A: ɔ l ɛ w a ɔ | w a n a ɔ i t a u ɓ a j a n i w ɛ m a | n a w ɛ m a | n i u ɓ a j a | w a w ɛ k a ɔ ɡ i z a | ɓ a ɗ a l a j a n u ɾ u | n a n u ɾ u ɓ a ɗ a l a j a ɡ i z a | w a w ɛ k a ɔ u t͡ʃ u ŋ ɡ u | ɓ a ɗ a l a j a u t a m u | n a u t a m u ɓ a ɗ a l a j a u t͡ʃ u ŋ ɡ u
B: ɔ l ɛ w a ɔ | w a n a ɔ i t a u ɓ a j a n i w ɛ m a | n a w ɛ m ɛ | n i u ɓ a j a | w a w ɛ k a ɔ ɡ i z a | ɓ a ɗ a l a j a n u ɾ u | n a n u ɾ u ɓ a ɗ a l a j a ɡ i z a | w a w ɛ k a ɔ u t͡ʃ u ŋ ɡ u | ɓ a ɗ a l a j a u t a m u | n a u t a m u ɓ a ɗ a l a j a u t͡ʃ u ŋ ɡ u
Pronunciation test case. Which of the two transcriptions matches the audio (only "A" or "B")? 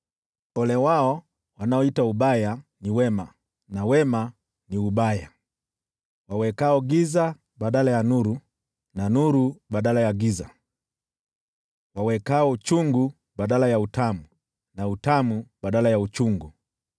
A